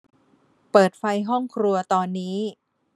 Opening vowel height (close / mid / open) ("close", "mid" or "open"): mid